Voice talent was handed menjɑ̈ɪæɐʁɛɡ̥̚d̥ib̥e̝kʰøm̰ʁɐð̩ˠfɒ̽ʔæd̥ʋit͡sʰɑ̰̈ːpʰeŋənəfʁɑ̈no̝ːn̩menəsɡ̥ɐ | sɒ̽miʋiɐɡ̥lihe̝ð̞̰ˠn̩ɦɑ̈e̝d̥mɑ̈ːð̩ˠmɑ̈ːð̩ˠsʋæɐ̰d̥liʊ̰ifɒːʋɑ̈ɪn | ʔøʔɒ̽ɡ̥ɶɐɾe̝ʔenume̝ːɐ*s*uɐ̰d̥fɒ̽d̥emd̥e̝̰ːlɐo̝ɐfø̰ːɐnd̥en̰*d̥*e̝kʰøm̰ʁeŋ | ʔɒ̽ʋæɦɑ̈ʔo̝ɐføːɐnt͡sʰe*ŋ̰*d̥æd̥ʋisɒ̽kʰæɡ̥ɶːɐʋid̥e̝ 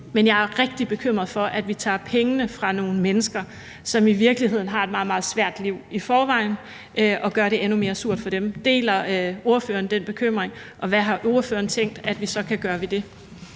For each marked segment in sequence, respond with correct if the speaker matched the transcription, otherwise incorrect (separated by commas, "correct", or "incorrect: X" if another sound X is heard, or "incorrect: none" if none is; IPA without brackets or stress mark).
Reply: correct, incorrect: b̥, correct